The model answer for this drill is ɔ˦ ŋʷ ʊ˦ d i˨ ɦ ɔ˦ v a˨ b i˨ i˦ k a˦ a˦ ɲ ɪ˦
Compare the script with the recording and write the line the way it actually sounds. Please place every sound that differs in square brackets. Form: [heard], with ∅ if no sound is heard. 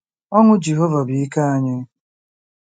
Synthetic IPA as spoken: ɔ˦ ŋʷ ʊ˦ [d͡ʒ] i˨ ɦ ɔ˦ v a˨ b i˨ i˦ k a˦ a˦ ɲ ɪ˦